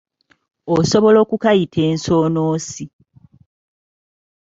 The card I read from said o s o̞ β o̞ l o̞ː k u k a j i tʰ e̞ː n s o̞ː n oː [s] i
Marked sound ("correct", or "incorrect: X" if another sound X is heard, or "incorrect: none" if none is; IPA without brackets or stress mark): correct